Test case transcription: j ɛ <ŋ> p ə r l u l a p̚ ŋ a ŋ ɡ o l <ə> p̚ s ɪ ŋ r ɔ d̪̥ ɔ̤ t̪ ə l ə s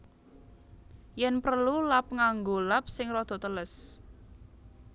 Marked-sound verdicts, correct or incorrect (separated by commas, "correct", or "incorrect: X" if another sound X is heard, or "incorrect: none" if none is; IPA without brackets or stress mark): incorrect: n, incorrect: a